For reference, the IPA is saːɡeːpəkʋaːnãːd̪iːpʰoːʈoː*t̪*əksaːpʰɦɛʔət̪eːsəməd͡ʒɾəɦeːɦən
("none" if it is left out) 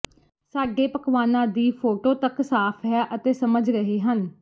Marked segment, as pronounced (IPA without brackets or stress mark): t̪